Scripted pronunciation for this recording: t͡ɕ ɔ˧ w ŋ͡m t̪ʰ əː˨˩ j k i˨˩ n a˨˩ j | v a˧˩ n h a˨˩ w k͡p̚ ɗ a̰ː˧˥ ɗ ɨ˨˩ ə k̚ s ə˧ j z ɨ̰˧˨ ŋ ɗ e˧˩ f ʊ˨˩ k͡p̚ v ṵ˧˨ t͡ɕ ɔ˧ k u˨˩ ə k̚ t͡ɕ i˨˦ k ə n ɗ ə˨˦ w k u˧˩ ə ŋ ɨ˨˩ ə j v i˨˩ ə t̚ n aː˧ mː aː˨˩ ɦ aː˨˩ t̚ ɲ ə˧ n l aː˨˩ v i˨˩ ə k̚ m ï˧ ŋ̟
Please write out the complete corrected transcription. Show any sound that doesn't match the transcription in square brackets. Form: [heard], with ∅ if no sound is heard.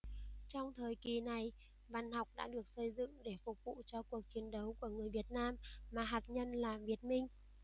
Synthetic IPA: t͡ɕ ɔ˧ w ŋ͡m t̪ʰ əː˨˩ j k i˨˩ n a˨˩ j | v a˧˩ n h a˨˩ w k͡p̚ ɗ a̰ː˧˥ ɗ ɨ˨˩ ə k̚ s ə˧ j z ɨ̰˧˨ ŋ ɗ e˧˩ f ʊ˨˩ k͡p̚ v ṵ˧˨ t͡ɕ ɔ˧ k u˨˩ ə k̚ t͡ɕ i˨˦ [∅] ə n ɗ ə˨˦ w k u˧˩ ə ŋ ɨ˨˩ ə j v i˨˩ ə t̚ n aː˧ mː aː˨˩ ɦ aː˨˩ t̚ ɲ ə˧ n l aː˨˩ v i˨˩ ə [t̚] m ï˧ ŋ̟